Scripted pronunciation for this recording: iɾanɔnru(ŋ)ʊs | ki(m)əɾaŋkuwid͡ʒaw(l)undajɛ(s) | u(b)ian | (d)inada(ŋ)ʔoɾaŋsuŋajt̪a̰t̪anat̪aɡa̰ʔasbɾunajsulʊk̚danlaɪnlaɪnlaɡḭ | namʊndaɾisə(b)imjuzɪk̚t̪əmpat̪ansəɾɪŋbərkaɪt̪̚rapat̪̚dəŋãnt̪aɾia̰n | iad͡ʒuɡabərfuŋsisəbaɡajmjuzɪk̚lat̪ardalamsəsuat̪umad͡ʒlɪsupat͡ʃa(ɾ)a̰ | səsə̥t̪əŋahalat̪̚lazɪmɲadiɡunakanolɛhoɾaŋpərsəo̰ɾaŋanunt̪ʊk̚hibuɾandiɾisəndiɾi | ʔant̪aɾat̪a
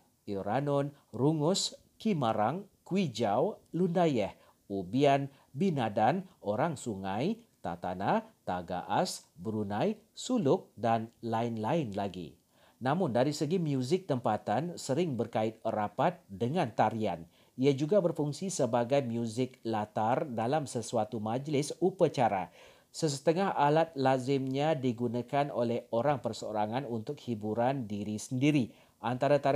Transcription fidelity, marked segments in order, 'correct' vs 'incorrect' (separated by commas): correct, correct, correct, incorrect, correct, incorrect, incorrect, incorrect, correct